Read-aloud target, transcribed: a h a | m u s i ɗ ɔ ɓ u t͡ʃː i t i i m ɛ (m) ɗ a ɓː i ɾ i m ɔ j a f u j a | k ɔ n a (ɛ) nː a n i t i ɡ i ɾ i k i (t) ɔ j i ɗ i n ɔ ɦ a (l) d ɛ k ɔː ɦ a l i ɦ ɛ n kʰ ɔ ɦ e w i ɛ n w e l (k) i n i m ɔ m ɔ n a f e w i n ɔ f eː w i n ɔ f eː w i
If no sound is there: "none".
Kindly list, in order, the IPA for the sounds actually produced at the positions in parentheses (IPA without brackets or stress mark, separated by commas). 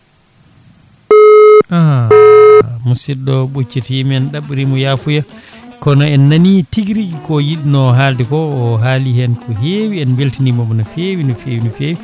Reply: n, ɛ, k, l, t